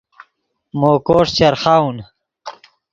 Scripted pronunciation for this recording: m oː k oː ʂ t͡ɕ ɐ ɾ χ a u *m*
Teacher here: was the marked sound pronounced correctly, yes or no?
no